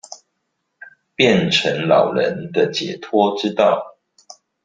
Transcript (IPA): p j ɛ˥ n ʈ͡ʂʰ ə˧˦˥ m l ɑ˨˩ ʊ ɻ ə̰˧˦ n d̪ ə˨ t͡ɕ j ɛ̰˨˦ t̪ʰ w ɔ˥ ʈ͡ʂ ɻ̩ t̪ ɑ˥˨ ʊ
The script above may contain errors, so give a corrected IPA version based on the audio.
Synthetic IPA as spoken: p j ɛ˥˨ n ʈ͡ʂʰ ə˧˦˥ ŋ l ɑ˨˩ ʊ ɻ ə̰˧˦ n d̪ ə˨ t͡ɕ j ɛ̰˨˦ t̪ʰ w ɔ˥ ʈ͡ʂ ɻ̩ t̪ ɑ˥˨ ʊ